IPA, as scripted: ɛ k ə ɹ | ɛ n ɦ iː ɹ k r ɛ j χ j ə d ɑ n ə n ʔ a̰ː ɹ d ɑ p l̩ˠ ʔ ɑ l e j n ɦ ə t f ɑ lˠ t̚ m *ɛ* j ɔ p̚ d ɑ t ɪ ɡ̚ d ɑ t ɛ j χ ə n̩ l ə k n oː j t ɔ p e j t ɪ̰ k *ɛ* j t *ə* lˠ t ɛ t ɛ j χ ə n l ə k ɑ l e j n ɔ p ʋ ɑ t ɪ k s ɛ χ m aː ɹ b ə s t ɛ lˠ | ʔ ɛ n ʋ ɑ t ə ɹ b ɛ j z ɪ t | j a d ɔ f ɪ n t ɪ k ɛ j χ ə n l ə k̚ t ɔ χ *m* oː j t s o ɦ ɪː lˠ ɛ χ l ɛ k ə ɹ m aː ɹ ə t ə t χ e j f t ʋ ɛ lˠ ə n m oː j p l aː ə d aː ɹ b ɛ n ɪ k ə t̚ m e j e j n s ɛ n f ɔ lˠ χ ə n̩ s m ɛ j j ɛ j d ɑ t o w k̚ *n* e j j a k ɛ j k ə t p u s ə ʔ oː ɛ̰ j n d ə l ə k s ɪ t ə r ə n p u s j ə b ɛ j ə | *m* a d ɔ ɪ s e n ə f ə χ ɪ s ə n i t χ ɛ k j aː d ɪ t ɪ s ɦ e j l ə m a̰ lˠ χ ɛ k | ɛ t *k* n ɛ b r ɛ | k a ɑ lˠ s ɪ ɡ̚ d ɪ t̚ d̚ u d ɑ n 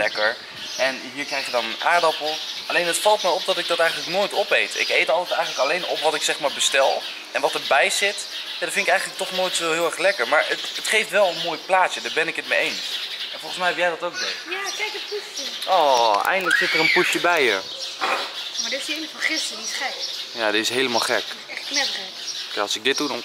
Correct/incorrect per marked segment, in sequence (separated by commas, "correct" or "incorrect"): correct, incorrect, incorrect, incorrect, incorrect, correct, correct